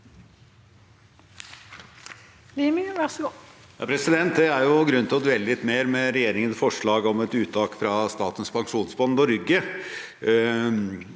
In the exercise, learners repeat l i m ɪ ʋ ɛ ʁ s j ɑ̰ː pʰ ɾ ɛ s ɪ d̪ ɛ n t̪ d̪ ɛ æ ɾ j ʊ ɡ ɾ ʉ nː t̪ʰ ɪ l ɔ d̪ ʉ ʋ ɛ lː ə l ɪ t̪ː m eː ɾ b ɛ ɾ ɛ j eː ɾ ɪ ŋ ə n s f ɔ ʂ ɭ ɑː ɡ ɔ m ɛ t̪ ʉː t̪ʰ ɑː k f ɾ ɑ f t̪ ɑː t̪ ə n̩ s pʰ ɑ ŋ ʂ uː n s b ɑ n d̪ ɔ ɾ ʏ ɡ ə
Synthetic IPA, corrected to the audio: l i m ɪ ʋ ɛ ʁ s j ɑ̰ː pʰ ɾ ɛ s ɪ d̪ ɛ n t̪ d̪ ɛ æ ɾ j ʊ ɡ ɾ ʉ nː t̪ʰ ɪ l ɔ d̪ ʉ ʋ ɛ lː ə l ɪ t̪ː m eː ɾ m ɛ ɾ ɛ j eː ɾ ɪ ŋ ə n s f ɔ ʂ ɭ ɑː ɡ ɔ m ɛ t̪ ʉː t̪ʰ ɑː k f ɾ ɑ s t̪ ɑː t̪ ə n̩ s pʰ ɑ ŋ ʂ uː n s b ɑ n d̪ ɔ ɾ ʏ ɡ ə